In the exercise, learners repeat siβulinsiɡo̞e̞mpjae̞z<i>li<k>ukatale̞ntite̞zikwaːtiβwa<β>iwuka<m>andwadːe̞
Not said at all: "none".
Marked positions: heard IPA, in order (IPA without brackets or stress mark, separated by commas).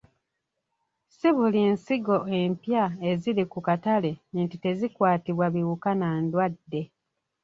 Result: i, k, β, n